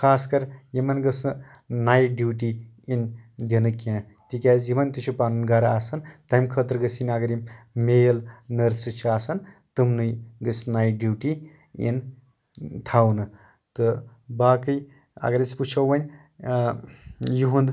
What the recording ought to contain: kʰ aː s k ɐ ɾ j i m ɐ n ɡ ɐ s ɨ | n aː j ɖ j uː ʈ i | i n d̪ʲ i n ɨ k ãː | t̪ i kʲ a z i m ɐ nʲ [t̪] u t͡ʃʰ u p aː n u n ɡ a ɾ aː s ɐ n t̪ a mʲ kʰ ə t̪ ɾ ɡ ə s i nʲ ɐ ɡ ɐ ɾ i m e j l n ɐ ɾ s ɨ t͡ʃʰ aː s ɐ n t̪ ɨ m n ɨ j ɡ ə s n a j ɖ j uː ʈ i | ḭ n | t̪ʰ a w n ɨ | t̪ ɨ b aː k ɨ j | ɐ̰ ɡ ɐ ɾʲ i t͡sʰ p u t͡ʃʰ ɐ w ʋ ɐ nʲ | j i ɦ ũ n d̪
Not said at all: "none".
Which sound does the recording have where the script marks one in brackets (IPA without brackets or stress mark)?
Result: t̪